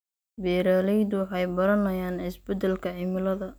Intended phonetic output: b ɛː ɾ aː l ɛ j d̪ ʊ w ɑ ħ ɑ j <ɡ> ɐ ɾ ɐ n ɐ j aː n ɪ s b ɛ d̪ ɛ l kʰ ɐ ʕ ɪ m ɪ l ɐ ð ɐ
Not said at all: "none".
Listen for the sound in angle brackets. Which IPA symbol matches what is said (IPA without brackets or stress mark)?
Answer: b